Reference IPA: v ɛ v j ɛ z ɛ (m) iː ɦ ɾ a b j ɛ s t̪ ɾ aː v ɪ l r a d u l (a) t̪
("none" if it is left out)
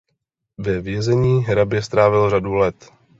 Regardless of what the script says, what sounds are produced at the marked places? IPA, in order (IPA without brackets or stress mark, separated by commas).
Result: ɲ, ɛ